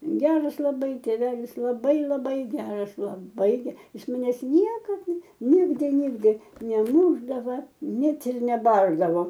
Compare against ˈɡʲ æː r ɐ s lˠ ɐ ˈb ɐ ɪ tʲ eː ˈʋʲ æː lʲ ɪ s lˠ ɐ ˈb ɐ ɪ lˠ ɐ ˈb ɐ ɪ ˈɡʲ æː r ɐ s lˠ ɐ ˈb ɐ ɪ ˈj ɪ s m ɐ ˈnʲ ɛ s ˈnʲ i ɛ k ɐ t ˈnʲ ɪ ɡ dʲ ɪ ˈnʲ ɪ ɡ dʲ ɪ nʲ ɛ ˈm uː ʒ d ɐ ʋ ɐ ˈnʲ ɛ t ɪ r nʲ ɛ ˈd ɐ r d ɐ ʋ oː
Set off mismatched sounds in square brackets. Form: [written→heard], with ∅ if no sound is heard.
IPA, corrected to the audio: ˈɡʲ æː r ɐ s lˠ ɐ ˈb ɐ ɪ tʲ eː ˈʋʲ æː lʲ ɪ s lˠ ɐ ˈb ɐ ɪ lˠ ɐ ˈb ɐ ɪ ˈɡʲ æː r ɐ s lˠ ɐ ˈb ɐ ɪ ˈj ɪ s m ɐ ˈnʲ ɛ s ˈnʲ i ɛ k ɐ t ˈnʲ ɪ ɡ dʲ ɪ ˈnʲ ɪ ɡ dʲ ɪ nʲ ɛ ˈm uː ʒ d ɐ ʋ ɐ ˈnʲ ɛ t ɪ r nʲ ɛ [ˈd→ˈb] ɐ r d ɐ ʋ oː